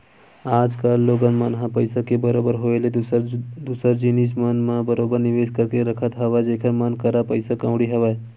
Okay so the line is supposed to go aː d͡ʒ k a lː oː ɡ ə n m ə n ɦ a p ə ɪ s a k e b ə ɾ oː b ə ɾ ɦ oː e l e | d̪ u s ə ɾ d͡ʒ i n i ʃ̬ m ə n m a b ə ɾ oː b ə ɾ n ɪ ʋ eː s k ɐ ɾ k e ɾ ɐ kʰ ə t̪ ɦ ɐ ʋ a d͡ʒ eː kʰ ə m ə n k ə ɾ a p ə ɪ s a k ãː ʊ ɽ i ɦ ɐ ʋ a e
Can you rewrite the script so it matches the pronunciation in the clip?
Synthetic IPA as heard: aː d͡ʒ k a lː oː ɡ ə n m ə n ɦ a p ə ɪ s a k e b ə ɾ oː b ə ɾ ɦ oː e l e | d̪ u s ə ɾ d͡ʒ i n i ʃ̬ m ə n m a b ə ɾ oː b ə ɾ n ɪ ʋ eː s k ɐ ɾ k e ɾ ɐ kʰ ə t̪ ɦ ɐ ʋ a d͡ʒ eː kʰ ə m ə n k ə ɾ a p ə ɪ s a k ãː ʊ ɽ i ɦ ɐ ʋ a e